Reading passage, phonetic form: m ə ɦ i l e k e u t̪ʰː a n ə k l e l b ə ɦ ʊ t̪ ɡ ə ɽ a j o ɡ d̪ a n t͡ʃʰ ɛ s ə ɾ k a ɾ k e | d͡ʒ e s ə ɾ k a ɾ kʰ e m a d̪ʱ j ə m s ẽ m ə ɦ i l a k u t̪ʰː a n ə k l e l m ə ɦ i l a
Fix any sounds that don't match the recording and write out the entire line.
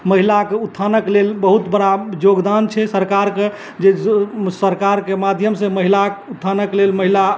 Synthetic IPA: m ə ɦ i l a k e u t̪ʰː a n ə k l e l b ə ɦ u t̪ b ə ɽ a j o ɡ d̪ a n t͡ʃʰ ɛ s ə ɾ k a ɾ k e | d͡ʒ e s ə ɾ k a ɾ k e m a d̪ʱ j ə m s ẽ m ə ɦ i l a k u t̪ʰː a n ə k l e l m ə ɦ i l a

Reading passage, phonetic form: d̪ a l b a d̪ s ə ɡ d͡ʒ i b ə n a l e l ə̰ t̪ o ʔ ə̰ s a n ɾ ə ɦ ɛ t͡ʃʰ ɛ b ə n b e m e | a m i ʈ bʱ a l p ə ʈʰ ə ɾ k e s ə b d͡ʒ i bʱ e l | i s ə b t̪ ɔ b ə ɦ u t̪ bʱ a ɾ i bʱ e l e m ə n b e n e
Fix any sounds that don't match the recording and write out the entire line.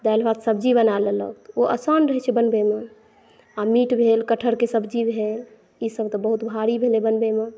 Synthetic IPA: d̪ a l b a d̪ s ə b d͡ʒ i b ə n a l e l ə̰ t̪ o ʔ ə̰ s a n ɾ ə ɦ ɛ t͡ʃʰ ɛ b ə n b e m e | a m i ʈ bʱ e l k ə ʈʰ ə ɾ k e s ə b d͡ʒ i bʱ e l | i s ə b t̪ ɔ b ə ɦ u t̪ bʱ a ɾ i bʱ e l e b ə n b e m e

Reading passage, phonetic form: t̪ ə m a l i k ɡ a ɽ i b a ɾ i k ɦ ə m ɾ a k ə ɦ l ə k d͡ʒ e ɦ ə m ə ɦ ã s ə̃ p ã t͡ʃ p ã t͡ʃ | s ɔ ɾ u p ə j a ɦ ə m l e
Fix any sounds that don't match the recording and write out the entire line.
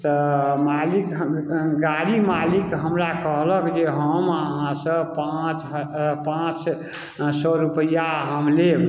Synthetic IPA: t̪ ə m a l i k ɡ a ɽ i m a l i k ɦ ə m ɾ a k ə ɦ l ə k d͡ʒ e ɦ ə m ə ɦ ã s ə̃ p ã t͡ʃ p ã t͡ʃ | s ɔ ɾ u p ə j a ɦ ə m l e

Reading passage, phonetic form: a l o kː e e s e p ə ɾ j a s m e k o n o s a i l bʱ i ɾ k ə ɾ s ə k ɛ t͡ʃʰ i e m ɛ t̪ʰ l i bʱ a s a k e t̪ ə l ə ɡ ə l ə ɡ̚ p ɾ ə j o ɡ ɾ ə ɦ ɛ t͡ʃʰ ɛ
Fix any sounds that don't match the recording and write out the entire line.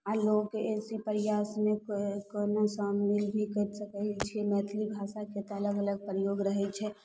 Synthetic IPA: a l o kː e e s i p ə ɾ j a s m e k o n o s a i l bʱ i k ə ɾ s ə k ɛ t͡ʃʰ i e m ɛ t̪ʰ l i bʱ a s a k e t̪ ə l ə ɡ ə l ə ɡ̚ p ɾ ə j o ɡ ɾ ə ɦ ɛ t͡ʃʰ ɛ

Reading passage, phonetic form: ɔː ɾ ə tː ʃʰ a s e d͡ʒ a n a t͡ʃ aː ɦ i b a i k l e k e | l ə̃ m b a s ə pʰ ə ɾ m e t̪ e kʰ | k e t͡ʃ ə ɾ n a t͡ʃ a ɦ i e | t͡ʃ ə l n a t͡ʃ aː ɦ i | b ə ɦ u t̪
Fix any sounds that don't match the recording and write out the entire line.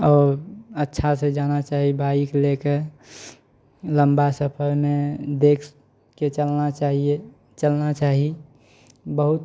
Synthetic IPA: ɔː ɾ ə tː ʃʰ a s e d͡ʒ a n a t͡ʃ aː ɦ i b a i k l e k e | l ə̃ m b a s ə pʰ ə ɾ m e d̪ e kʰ | k e t͡ʃ ə l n a t͡ʃ a ɦ i e | t͡ʃ ə l n a t͡ʃ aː ɦ i | b ə ɦ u t̪

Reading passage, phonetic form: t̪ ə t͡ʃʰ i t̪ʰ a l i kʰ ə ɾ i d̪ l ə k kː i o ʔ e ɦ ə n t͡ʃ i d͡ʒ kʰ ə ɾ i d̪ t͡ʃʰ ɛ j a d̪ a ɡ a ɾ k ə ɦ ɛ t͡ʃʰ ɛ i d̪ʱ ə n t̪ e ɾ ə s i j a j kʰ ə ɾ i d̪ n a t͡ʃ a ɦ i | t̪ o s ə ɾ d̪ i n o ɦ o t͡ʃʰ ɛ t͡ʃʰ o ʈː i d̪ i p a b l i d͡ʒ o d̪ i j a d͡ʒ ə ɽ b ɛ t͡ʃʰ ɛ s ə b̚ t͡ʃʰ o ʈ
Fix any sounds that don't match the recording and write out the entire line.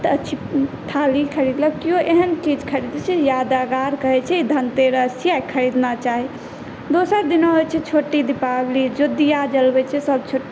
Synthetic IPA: t̪ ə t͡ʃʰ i t̪ʰ a l i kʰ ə ɾ i d̪ l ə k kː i o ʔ e ɦ ə n t͡ʃ i d͡ʒ kʰ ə ɾ i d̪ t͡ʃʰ ɛ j a d̪ a ɡ a ɾ k ə ɦ ɛ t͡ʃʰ ɛ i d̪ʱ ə n t̪ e ɾ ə s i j a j kʰ ə ɾ i d̪ n a t͡ʃ a ɦ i | d̪ o s ə ɾ d̪ i n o ɦ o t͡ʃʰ ɛ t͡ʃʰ o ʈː i d̪ i p a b l i d͡ʒ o d̪ i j a d͡ʒ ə l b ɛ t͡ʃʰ ɛ s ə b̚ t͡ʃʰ o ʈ

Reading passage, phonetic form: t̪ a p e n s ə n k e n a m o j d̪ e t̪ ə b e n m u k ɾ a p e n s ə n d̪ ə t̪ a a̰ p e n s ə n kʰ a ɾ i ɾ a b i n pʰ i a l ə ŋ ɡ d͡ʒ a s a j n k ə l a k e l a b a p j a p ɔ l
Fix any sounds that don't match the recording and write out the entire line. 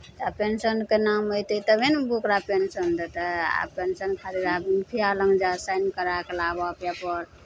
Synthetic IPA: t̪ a p e n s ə n k e n a m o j t̪ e t̪ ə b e n b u k ɾ a p e n s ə n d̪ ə t̪ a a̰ p e n s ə n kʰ a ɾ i ɾ a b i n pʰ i a l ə ŋ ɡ d͡ʒ a s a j n k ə ɾ a k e l a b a p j a p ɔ ɾ

